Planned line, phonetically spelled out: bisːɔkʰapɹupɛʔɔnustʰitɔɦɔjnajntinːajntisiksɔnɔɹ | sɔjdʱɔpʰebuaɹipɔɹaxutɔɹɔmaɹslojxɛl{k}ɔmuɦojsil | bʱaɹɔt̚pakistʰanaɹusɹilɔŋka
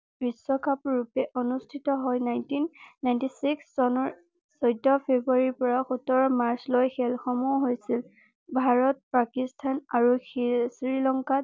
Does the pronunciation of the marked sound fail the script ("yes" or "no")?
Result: yes